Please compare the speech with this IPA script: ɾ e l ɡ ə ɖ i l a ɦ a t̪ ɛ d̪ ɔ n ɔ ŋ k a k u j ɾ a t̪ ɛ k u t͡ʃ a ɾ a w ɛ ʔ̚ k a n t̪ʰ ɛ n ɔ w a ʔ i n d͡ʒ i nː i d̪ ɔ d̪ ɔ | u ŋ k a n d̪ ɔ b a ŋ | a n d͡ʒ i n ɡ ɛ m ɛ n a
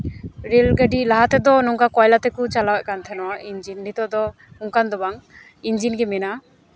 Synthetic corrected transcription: ɾ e l ɡ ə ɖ i l a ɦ a t̪ ɛ d̪ ɔ n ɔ ŋ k a k ɔ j l a t̪ ɛ k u t͡ʃ a l a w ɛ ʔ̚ k a n t̪ʰ ɛ n ɔ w a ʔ i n d͡ʒ i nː i t̪ ɔ d̪ ɔ | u ŋ k a n d̪ ɔ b a ŋ | i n d͡ʒ i n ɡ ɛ m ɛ n a